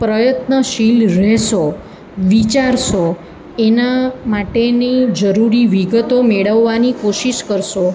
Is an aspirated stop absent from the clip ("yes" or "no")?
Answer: yes